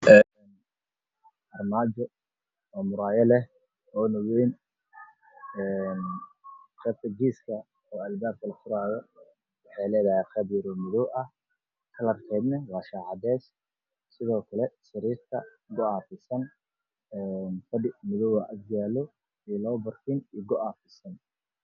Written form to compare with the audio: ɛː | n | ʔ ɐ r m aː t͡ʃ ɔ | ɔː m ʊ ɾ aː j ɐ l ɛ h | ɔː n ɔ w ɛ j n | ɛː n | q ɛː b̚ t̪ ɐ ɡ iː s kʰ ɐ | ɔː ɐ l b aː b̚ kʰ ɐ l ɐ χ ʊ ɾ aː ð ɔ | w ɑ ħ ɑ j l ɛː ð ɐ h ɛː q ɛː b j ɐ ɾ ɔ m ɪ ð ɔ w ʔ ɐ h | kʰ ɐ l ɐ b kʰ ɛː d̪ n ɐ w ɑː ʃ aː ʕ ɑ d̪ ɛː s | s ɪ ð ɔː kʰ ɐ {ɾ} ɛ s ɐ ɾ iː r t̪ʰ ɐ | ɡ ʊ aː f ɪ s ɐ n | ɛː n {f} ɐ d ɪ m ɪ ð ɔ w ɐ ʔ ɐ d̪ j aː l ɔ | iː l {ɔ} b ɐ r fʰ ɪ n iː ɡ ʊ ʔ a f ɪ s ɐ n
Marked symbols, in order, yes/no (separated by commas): no, yes, no